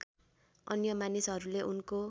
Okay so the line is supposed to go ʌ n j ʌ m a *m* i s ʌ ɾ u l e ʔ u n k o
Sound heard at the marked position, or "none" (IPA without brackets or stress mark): n